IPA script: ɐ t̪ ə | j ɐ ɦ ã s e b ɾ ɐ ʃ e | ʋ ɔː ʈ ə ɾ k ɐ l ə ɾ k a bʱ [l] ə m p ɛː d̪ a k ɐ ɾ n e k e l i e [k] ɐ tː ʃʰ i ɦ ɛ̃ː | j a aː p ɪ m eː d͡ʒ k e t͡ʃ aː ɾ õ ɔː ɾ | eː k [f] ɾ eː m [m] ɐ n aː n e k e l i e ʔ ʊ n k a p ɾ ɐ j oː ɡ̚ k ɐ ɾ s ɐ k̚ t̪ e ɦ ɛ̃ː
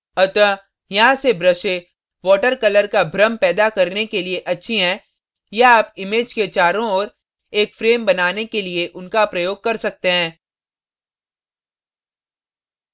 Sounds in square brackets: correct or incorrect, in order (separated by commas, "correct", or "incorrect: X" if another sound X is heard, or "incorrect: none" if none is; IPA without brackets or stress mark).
incorrect: ɾ, incorrect: ʔ, correct, incorrect: b